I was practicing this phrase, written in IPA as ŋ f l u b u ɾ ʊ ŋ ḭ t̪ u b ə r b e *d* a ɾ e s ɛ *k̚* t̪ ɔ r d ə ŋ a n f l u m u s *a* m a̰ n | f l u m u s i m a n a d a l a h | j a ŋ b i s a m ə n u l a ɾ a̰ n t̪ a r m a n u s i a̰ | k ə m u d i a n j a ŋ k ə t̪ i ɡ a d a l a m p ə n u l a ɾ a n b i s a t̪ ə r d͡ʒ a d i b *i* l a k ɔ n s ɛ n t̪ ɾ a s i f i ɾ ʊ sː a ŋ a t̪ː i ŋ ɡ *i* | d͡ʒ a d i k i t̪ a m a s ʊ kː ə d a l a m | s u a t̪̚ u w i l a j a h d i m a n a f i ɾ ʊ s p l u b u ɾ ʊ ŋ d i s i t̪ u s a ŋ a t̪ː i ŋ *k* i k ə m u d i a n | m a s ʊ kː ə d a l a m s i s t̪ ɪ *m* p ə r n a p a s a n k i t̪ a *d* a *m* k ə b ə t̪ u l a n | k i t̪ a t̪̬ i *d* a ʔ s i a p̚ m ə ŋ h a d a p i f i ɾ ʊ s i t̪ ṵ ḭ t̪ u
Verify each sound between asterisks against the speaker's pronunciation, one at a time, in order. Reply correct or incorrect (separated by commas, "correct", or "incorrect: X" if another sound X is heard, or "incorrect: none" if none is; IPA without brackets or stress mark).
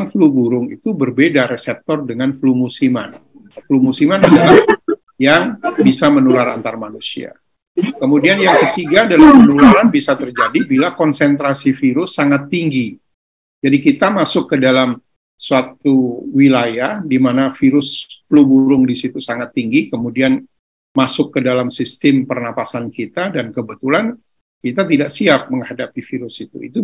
correct, incorrect: p̚, incorrect: i, correct, correct, incorrect: ɡ, correct, correct, incorrect: n, correct